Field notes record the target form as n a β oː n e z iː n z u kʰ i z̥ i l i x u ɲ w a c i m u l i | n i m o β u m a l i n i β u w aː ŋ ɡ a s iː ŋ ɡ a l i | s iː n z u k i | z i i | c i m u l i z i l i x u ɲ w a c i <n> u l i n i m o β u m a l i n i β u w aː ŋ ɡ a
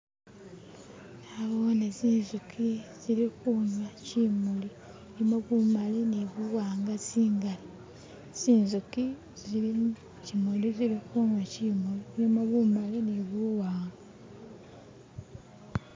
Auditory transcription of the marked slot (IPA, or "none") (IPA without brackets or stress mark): m